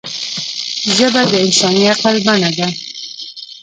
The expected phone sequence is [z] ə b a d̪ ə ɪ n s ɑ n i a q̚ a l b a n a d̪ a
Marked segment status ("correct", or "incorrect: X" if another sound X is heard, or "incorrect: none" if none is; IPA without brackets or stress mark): incorrect: ʒ